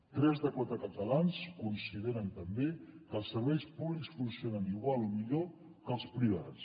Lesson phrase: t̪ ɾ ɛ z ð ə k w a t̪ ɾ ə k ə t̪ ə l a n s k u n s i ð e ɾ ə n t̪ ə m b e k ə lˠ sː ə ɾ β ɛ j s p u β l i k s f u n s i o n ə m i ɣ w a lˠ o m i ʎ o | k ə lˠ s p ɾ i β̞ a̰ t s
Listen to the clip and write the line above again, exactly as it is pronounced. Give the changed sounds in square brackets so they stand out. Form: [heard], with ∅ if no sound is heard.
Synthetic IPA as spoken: t̪ ɾ ɛ z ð ə k w a t̪ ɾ ə k ə t̪ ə l a n s k u n s i ð e ɾ ə n t̪ ə m b e k ə lˠ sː ə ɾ β ɛ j s p u β l i k s f u n s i o n ə [n] i ɣ w a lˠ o m i ʎ o | k ə lˠ s p ɾ i β̞ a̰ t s